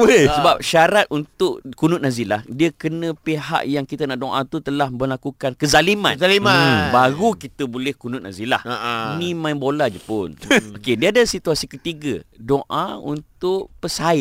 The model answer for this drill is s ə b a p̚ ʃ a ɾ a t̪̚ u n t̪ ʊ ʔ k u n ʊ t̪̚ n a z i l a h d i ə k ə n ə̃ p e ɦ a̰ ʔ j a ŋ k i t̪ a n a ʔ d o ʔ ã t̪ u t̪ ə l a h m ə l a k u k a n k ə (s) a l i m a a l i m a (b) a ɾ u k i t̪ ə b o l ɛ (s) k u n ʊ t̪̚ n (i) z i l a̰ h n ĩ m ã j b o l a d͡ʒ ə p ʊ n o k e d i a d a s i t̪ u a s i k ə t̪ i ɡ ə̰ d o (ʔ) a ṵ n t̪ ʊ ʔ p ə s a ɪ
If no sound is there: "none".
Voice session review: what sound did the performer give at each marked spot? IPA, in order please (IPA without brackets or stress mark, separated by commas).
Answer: z, b, h, a, ʔ